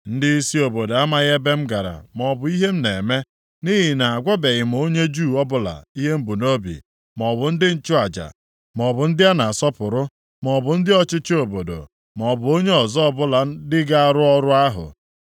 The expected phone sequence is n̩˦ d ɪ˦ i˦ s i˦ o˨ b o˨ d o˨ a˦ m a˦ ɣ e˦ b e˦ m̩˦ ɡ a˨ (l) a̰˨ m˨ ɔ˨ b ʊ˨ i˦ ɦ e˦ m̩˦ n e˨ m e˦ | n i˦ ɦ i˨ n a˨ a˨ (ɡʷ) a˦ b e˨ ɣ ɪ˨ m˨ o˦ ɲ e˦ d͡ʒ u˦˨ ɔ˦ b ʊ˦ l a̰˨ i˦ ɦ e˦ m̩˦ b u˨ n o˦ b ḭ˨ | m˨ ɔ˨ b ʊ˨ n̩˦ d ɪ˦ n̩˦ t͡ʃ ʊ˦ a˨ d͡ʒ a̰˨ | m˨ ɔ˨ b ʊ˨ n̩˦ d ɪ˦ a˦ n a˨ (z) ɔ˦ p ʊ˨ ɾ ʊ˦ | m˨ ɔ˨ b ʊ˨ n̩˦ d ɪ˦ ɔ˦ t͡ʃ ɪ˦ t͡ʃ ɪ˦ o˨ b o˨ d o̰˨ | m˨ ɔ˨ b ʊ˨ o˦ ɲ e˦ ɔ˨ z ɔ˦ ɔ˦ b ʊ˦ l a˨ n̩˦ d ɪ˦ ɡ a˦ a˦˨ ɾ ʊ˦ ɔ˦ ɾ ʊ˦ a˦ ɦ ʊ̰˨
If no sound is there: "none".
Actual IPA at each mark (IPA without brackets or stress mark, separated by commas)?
ɾ, ɡʷ, s